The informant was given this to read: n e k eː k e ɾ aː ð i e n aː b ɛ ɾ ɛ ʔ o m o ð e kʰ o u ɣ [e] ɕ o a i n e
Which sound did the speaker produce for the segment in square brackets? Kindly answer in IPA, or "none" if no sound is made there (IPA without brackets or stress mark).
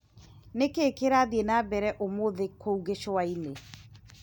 e